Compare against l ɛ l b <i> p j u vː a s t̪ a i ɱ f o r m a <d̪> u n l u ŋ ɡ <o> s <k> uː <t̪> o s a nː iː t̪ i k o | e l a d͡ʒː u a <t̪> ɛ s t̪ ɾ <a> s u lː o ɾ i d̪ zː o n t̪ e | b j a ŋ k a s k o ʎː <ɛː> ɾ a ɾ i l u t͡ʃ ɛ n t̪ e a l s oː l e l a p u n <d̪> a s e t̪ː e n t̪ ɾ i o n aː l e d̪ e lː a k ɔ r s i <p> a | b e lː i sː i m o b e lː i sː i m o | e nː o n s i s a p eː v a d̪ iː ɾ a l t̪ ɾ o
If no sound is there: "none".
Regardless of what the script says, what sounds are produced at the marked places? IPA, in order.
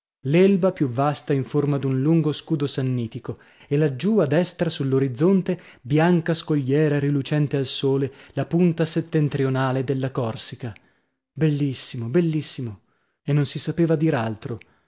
a, d̪, o, k, d̪, d̪, a, ɛː, t̪, k

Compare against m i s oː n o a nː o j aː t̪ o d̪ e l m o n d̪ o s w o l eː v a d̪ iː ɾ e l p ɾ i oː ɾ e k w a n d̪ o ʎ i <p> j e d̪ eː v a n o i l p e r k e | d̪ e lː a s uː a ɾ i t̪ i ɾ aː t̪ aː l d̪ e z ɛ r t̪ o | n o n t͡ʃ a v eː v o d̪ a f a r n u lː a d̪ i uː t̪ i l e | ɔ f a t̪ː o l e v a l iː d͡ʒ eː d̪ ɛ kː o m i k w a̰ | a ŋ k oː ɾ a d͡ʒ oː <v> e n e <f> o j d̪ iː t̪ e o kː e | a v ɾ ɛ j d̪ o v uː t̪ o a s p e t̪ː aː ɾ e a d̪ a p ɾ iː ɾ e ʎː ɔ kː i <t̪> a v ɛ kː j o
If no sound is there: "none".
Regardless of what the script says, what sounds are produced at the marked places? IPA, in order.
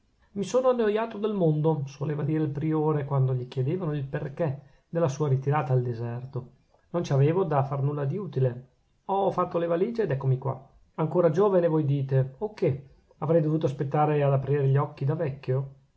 k, v, v, d̪

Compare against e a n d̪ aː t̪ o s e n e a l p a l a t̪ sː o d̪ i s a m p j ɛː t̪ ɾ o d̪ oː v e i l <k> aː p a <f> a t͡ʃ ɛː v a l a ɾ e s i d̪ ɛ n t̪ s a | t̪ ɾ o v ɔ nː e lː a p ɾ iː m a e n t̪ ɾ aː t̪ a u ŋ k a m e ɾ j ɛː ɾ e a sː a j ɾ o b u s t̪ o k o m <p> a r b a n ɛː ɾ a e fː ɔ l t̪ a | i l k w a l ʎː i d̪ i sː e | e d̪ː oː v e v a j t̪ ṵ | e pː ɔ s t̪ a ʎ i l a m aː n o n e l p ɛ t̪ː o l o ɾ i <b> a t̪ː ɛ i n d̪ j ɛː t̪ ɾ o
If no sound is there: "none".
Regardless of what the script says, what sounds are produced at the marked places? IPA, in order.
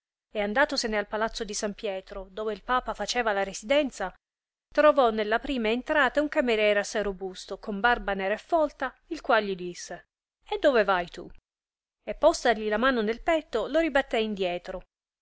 p, f, b, b

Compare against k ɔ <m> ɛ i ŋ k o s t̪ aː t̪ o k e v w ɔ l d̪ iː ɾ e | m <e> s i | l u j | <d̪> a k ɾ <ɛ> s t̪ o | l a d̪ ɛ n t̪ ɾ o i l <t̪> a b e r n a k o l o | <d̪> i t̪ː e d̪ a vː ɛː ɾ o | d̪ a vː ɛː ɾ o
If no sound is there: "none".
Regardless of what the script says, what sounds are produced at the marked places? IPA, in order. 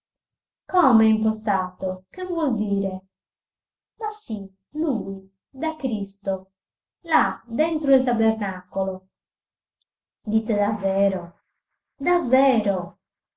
m, a, d̪, i, t̪, d̪

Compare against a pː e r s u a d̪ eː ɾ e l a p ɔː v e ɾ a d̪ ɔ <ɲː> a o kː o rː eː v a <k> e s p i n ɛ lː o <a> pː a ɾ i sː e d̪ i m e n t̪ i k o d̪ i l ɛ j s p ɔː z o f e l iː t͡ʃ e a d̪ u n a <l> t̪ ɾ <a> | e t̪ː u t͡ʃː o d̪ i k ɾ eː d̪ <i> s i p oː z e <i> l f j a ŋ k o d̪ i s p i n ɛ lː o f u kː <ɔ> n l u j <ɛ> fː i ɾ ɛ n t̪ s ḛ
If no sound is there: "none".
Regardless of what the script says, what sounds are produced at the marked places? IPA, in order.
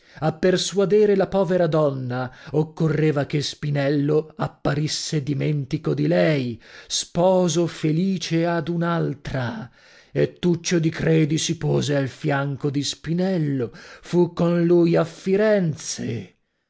nː, k, a, l, a, i, a, o, a

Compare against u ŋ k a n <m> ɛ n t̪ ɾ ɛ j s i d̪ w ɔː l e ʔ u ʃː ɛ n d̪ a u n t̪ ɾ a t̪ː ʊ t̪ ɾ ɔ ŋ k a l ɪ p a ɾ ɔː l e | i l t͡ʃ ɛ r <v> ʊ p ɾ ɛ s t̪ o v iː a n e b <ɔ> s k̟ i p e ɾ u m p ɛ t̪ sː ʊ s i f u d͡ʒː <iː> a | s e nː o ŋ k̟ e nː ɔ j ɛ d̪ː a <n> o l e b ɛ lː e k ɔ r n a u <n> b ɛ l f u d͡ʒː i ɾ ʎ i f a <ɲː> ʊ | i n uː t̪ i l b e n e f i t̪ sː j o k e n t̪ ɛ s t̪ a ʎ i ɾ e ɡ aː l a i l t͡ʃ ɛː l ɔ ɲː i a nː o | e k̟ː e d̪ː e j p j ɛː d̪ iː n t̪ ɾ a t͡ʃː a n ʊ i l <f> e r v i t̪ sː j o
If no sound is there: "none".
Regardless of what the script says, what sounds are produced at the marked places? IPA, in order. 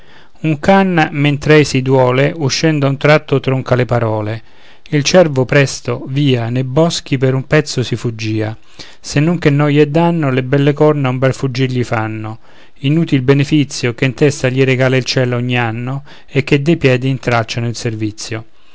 m, v, ɔ, iː, nː, m, nː, s

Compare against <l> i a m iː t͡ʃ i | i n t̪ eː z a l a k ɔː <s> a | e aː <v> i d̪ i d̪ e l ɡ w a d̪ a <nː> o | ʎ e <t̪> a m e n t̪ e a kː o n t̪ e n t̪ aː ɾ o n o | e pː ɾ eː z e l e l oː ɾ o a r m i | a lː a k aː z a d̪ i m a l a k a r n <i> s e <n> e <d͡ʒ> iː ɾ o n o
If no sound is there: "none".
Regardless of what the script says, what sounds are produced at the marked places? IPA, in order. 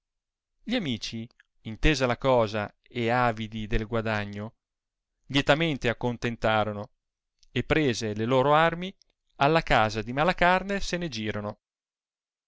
ʎ, z, v, ɲː, t̪, e, n, d͡ʒ

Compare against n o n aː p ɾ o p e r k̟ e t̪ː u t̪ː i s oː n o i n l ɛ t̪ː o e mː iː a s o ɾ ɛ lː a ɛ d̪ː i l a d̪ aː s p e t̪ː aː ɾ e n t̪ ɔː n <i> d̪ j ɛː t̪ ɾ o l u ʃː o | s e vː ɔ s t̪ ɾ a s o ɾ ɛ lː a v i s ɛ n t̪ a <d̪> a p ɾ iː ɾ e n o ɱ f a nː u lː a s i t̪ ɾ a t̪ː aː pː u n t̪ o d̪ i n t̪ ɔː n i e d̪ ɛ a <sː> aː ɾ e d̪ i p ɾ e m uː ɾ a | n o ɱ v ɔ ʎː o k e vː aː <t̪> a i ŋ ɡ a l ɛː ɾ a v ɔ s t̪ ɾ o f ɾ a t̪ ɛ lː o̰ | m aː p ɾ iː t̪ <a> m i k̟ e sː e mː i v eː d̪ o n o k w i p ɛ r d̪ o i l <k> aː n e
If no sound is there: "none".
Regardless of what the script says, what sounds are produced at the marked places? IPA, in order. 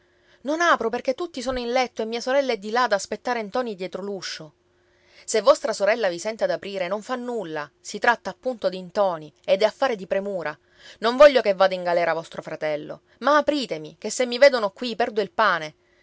i, d̪, fː, d̪, e, p

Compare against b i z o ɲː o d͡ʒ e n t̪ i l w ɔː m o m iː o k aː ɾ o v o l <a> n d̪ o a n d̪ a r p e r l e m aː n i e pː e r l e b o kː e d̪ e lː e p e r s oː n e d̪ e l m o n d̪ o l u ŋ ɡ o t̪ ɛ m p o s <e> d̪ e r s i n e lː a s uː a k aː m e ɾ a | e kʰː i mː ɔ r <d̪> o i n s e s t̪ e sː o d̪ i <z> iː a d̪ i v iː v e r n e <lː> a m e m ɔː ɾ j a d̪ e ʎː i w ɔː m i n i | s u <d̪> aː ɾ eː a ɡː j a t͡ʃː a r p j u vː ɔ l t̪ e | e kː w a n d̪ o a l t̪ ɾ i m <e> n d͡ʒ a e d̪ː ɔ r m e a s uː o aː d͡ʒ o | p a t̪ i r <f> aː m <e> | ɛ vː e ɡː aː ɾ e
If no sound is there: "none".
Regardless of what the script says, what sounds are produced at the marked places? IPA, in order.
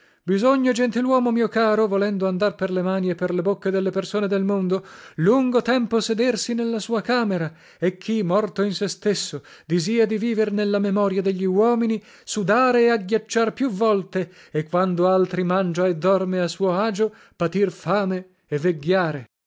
ɛ, e, t̪, z, lː, d̪, a, f, e

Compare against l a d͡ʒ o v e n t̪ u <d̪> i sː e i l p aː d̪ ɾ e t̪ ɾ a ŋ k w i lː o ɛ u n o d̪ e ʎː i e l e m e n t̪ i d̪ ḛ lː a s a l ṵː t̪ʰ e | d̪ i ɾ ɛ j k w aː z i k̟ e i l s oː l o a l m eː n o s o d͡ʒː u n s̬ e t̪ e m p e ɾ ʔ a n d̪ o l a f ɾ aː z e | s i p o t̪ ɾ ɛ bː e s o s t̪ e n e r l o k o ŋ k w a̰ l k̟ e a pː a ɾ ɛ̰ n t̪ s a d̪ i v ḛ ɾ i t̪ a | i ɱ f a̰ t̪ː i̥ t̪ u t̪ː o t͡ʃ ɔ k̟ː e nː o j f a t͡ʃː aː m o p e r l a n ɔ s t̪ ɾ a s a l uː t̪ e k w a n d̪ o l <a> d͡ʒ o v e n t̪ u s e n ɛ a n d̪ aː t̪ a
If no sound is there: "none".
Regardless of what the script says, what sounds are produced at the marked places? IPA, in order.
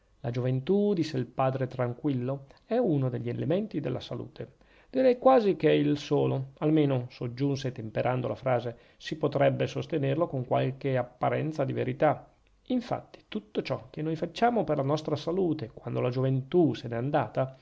d̪, a

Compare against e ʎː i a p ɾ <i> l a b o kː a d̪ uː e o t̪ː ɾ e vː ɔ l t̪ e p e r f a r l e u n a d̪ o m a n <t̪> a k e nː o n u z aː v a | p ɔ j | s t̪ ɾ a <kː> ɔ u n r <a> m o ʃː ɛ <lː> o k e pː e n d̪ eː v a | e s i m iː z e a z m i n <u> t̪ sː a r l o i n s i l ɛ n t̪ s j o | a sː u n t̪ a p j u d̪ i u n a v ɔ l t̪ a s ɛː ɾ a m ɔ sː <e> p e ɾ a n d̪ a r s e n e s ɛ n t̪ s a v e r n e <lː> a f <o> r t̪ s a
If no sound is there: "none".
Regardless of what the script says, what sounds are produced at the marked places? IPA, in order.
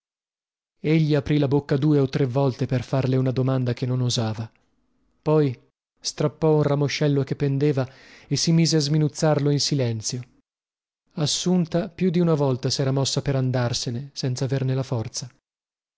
i, d̪, pː, a, lː, u, a, l, ɔ

